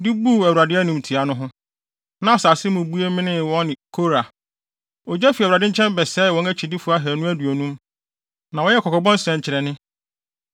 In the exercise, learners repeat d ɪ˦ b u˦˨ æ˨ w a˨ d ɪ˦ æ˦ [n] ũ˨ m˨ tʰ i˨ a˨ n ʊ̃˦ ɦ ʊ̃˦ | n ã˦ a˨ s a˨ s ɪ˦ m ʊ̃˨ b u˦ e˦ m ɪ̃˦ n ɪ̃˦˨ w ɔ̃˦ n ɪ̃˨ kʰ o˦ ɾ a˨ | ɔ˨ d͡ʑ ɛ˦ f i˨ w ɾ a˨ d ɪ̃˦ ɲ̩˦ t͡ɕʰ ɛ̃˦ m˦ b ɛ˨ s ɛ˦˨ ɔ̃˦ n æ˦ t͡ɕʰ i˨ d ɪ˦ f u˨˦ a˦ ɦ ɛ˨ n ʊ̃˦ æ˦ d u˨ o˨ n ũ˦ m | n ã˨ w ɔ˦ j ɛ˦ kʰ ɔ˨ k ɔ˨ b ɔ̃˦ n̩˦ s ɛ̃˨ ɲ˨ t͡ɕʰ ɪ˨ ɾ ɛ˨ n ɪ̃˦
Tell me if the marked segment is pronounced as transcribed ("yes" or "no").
yes